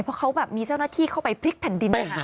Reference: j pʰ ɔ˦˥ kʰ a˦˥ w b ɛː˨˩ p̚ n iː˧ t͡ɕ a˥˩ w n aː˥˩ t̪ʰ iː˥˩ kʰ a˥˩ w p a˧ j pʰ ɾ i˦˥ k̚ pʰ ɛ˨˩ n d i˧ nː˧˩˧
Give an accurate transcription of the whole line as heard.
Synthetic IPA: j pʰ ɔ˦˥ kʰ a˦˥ w b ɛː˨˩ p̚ m iː˧ t͡ɕ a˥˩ w n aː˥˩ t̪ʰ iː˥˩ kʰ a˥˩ w p a˧ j pʰ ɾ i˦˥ k̚ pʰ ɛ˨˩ n d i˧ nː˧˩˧